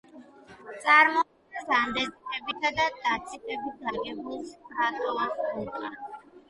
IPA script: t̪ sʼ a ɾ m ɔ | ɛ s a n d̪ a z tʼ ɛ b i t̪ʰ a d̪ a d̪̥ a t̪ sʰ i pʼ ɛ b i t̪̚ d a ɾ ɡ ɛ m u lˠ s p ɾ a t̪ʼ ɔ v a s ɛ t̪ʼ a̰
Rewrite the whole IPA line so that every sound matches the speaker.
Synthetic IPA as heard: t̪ sʼ a ɾ m ɔ | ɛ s a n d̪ ɛ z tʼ ɛ b i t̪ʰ a d̪ a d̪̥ a t̪ sʰ i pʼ ɛ b i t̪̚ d a ɾ ɡ ɛ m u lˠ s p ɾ a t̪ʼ ɔ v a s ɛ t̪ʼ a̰